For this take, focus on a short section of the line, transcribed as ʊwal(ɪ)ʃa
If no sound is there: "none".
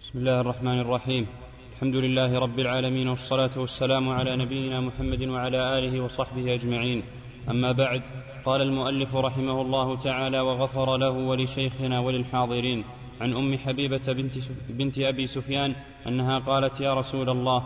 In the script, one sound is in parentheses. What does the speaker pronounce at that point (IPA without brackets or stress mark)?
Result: ɪ